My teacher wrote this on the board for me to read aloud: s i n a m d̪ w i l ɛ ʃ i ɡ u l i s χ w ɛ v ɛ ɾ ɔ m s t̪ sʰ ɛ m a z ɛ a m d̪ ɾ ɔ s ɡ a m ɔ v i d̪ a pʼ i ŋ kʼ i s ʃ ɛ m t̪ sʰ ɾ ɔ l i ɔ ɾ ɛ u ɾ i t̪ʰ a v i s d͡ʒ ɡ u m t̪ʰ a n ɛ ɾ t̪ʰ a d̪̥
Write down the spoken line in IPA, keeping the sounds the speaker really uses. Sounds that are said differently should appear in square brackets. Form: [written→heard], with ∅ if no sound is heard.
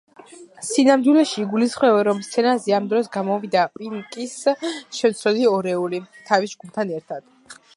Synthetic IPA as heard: s i n a m d̪ w i l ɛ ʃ i ɡ u l i s χ w ɛ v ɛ ɾ ɔ m s t̪ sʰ ɛ [m→n] a z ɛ a m d̪ ɾ ɔ s ɡ a m ɔ v i d̪ a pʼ i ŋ kʼ i s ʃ ɛ m t̪ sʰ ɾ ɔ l i ɔ ɾ ɛ u [ɾ→l] i t̪ʰ a v i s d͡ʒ ɡ u m t̪ʰ a n ɛ ɾ t̪ʰ a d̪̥